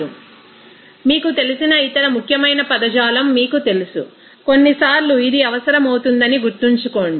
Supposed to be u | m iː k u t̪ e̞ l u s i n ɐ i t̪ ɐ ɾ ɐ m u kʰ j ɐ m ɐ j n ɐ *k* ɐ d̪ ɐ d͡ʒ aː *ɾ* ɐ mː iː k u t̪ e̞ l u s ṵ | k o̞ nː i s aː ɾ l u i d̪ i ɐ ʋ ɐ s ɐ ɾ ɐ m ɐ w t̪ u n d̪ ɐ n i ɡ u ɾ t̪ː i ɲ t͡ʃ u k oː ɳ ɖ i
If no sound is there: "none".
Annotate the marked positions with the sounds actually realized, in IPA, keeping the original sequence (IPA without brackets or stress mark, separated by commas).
p, l